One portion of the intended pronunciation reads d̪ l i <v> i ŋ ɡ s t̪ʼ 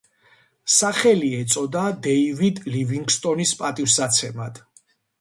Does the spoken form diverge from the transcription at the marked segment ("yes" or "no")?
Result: no